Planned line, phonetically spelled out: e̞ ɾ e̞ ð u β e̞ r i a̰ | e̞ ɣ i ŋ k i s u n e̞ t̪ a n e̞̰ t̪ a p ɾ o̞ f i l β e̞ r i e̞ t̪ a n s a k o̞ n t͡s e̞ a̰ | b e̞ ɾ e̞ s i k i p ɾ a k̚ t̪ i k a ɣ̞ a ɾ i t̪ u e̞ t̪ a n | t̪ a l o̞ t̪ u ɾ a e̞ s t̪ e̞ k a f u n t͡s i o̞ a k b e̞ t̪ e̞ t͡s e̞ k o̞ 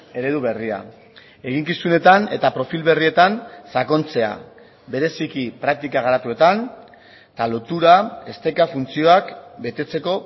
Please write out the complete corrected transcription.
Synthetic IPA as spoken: e̞ ɾ e̞ ð u β e̞ r i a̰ | e̞ ɣ i ŋ k i s u n e̞ t̪ a n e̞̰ t̪ a p ɾ o̞ f i l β e̞ r i e̞ t̪ a n s a k o̞ n t͡s e̞ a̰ | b e̞ ɾ e̞ s i k i p ɾ a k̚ t̪ i k a ɣ̞ a ɾ a t̪ u e̞ t̪ a n | t̪ a l o̞ t̪ u ɾ a e̞ s t̪ e̞ k a f u n t͡s i o̞ a k b e̞ t̪ e̞ t͡s e̞ k o̞

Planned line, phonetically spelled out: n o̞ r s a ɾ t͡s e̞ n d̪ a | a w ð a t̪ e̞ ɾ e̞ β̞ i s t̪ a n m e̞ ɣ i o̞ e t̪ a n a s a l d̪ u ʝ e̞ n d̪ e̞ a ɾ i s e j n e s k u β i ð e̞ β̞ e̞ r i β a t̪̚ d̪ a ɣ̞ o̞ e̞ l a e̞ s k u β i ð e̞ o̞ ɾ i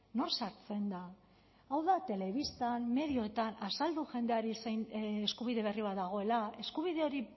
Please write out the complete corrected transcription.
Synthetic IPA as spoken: n o̞ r s a ɾ t͡s e̞ n d̪ a | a w ð a t̪ e̞ l e̞ β̞ i s t̪ a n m e̞ ð i o̞ e t̪ a n a s a l d̪ u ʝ e̞ n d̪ e̞ a ɾ i s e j n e s k u β i ð e̞ β̞ e̞ r i β a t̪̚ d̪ a ɣ̞ o̞ e̞ l a e̞ s k u β i ð e̞ o̞ ɾ i

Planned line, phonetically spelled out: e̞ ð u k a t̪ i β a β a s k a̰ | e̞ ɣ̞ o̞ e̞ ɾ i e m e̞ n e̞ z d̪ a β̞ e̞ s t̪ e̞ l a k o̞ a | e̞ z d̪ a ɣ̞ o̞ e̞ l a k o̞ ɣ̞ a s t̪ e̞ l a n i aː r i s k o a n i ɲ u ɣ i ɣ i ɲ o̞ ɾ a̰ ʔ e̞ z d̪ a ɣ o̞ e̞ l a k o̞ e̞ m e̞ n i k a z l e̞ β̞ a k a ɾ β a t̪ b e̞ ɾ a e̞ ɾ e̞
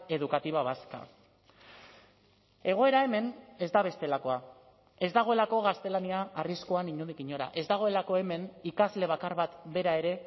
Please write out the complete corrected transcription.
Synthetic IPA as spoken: e̞ ð u k a t̪ i β a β a s k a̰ | e̞ ɣ̞ o̞ e̞ ɾ a e m e̞ n e̞ z d̪ a β̞ e̞ s t̪ e̞ l a k o̞ a | e̞ z d̪ a ɣ̞ o̞ e̞ l a k o̞ ɣ̞ a s t̪ e̞ l a n i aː r i s k o a n i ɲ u ð i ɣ i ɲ o̞ ɾ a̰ ʔ e̞ z d̪ a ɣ o̞ e̞ l a k o̞ e̞ m e̞ n i k a z l e̞ β̞ a k a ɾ β a t̪ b e̞ ɾ a e̞ ɾ e̞

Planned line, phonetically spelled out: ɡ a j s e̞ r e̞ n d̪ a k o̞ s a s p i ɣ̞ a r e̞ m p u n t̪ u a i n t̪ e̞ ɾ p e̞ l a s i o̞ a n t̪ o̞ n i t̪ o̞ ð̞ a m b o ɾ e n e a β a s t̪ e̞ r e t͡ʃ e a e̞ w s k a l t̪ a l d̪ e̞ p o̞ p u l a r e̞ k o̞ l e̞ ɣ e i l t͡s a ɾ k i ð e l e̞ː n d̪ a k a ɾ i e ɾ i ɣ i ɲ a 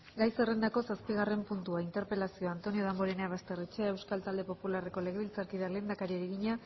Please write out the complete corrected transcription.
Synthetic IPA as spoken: ɡ a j s e̞ r e̞ n d̪ a k o̞ s a s p i ɣ̞ a r e̞ m p u n t̪ u a i n t̪ e̞ ɾ p e̞ l a s i o̞ a n t̪ o̞ n i o̞ ð̞ a m b o ɾ e n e a β a s t̪ e̞ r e t͡ʃ e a e̞ w s k a l t̪ a l d̪ e̞ p o̞ p u l a r e̞ k o̞ l e̞ ɣ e i l t͡s a ɾ k i ð a l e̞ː n d̪ a k a ɾ i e ɾ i ɣ i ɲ a

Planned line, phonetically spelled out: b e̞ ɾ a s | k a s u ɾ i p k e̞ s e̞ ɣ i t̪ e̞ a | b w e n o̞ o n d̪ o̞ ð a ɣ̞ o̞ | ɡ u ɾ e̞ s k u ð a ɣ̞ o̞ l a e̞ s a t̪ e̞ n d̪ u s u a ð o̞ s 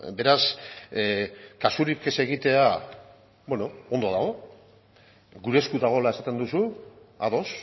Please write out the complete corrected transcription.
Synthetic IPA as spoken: b e̞ ɾ a s | k a s u ɾ i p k e̞ s e̞ ɣ i t̪ e̞ a | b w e n o̞ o n d̪ o̞ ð a ɣ̞ o̞ | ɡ u ɾ e̞ s k u ð a ɣ̞ o̞ l a e̞ s a t̪ e̞ n d̪ u s u a ð o̞ s

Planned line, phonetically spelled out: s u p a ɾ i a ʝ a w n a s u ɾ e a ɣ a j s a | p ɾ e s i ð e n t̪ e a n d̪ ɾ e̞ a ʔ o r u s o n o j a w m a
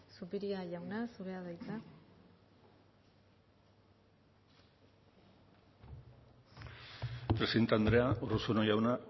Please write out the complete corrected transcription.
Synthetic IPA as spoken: s u p i ɾ i a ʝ a w n a s u ɾ e a ð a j t͡s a | p ɾ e s i ð e n t̪ e a n d̪ ɾ e̞ a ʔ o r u s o n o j a w n a

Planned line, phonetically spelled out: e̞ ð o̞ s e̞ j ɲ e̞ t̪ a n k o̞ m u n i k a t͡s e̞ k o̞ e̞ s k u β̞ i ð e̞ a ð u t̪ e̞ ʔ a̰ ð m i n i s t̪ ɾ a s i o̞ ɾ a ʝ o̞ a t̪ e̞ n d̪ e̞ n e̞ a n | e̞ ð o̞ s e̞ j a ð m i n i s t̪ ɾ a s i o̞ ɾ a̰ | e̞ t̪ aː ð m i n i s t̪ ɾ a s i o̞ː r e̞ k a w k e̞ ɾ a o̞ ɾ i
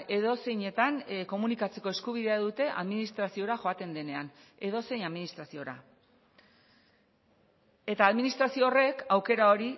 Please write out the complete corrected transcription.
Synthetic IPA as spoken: e̞ ð o̞ s e̞ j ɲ e̞ t̪ a n k o̞ m u n i k a t͡s e̞ k o̞ e̞ s k u β̞ i ð e̞ a ð u t̪ e̞ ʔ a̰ ð m i n i s t̪ ɾ a s i o̞ ɾ a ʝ o̞ a t̪ e̞ n d̪ e̞ n e̞ a n | e̞ ð o̞ s e̞ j a ð m i n i s t̪ ɾ a s i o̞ ɾ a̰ | e̞ t̪ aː ð m i n i s t̪ ɾ a s i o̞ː r e̞ k a w k e̞ ɾ a o̞ ɾ i

